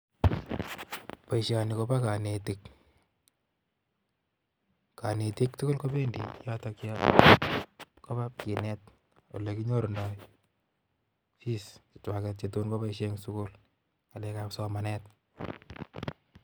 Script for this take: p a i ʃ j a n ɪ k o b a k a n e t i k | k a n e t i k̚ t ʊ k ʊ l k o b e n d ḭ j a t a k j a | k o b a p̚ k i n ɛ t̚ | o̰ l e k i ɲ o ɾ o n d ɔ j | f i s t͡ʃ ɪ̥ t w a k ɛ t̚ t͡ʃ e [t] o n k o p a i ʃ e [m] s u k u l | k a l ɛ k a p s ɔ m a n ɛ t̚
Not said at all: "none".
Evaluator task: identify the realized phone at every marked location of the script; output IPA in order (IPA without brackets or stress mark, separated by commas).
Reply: t, ŋ